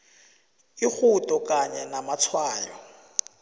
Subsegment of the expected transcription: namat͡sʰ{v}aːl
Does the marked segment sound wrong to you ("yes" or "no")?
yes